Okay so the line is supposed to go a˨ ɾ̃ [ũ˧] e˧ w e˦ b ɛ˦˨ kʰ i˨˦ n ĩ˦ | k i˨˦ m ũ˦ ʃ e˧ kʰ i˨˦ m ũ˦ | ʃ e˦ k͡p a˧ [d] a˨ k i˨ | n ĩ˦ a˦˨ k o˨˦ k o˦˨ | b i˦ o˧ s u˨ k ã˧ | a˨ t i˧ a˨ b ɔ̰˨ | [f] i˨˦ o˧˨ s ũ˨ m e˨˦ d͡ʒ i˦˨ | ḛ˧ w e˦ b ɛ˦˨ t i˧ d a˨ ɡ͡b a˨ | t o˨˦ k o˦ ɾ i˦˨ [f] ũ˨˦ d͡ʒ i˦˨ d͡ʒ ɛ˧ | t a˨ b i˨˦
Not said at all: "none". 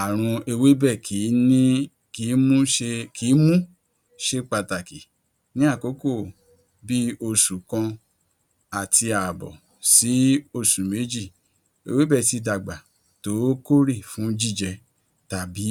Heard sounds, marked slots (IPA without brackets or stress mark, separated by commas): ũ˧, t, s, f